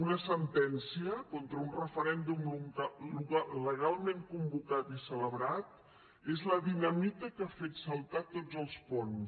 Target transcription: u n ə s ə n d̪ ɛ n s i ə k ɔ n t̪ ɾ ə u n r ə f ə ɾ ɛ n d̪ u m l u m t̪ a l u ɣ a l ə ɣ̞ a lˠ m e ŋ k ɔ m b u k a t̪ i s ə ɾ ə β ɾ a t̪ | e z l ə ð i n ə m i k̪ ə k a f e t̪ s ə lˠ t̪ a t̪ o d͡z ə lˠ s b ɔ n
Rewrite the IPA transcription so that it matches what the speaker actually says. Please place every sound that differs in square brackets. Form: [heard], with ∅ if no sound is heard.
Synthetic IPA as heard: u n ə s ə n [t̪] ɛ n s i ə k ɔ n t̪ ɾ ə u n r ə f ə ɾ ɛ n d̪ u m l u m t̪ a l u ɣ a l ə ɣ̞ a lˠ m e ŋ k [u] m b u k a t̪ i s ə [l] ə β ɾ a t̪ | e z l ə ð i n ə m i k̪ ə k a f e t̪ s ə lˠ t̪ a t̪ o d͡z ə lˠ s [p] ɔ n